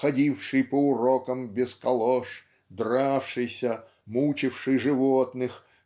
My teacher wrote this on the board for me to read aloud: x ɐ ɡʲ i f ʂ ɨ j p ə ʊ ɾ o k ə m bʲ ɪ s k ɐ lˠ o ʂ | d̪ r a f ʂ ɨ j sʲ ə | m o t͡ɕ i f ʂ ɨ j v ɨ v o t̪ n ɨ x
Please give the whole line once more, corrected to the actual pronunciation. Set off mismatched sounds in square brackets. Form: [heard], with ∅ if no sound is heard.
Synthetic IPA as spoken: x ɐ [dʲ] i f ʂ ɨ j p ə ʊ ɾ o k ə m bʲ ɪ s k ɐ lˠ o ʂ | d̪ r a f ʂ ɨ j sʲ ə | m [u] t͡ɕ [ɪ] f ʂ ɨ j [ʐ] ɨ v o t̪ n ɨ x